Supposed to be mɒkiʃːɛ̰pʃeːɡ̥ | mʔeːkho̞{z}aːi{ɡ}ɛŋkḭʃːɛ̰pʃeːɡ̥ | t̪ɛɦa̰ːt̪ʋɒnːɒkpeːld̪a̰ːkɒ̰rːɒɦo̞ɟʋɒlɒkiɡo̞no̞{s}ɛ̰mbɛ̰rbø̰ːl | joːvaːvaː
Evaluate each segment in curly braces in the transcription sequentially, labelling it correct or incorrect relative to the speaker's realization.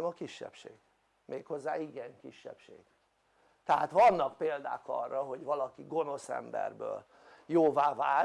incorrect: zː, correct, correct

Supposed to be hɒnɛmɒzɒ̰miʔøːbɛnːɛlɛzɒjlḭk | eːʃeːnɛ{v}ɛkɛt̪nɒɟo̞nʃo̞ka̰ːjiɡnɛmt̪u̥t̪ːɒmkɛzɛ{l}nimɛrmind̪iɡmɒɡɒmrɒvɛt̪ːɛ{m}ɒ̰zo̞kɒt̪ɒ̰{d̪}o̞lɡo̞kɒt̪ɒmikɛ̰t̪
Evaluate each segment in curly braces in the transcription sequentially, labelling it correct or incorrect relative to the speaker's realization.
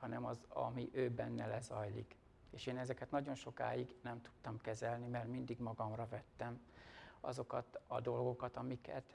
incorrect: z, correct, correct, correct

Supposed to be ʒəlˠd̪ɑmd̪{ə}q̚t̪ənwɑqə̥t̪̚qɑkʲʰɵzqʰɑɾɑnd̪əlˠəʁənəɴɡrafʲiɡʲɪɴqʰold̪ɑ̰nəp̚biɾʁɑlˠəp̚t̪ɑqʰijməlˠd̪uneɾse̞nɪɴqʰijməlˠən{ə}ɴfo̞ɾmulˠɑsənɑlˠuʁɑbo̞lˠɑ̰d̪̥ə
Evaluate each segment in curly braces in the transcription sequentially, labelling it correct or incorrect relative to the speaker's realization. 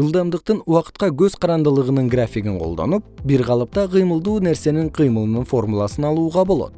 correct, correct

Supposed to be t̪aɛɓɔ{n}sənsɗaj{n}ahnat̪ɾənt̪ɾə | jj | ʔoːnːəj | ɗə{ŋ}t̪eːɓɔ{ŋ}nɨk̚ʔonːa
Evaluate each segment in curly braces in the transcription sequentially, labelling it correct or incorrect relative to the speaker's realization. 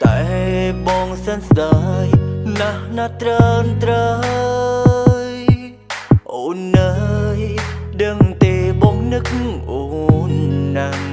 incorrect: ŋ, correct, correct, correct

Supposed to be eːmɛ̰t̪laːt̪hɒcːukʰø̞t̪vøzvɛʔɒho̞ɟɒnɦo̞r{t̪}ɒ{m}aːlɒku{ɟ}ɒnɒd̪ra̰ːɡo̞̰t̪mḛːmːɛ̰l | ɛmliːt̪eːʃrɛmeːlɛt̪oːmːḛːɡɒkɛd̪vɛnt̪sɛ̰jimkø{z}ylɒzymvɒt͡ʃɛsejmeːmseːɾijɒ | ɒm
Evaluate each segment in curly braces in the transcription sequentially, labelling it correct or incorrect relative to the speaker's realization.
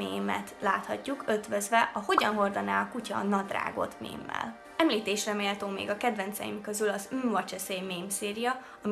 incorrect: d̪, incorrect: n, incorrect: c, correct

